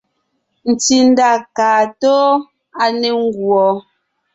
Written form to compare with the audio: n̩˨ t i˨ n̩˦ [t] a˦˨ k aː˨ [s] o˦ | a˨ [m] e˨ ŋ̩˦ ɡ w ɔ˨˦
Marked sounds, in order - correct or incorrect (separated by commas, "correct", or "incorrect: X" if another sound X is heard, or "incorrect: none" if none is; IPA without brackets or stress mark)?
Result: incorrect: d, incorrect: t, incorrect: n